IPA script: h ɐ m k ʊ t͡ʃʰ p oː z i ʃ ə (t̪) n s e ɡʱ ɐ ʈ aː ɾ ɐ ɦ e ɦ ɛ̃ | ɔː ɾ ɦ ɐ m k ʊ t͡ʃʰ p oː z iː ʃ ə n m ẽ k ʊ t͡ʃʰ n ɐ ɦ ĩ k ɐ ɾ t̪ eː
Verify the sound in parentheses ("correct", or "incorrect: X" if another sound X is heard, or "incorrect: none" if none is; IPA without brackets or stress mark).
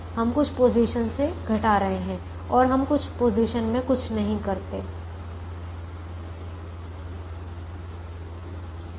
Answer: incorrect: none